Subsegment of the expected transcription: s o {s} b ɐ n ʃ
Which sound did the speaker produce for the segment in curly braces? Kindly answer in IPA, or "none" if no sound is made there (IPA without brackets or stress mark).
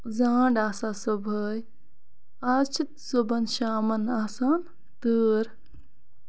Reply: none